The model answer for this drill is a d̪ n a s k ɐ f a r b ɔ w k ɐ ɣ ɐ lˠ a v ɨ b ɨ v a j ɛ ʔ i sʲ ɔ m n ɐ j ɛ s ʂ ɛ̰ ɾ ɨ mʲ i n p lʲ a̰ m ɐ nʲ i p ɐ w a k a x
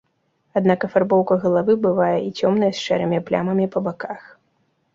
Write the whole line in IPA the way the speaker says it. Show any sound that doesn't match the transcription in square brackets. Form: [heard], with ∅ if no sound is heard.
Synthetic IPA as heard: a d̪ n a [∅] k ɐ f a r b ɔ w k ɐ ɣ ɐ lˠ a v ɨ b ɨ v a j ɛ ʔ i [t͡sʲ] ɔ m n ɐ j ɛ s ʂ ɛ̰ ɾ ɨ mʲ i [∅] p lʲ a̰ m ɐ [mʲ] i p ɐ [b] a k a x